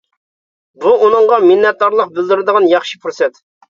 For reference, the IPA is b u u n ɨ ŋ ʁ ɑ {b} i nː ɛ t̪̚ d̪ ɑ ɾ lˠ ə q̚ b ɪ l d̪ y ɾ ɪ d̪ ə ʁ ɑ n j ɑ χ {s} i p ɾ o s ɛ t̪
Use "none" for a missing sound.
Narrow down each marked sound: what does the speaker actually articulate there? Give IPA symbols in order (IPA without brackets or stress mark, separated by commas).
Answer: m, ʃ